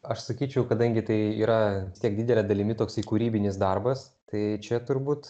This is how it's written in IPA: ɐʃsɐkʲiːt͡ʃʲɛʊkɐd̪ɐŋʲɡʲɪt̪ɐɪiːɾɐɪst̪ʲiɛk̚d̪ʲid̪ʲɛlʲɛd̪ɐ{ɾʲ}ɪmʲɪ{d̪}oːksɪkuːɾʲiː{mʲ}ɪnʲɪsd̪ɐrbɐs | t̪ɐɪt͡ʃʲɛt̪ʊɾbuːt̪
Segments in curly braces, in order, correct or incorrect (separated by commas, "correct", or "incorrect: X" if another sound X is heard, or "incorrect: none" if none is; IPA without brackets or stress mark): incorrect: lʲ, incorrect: t̪, incorrect: bʲ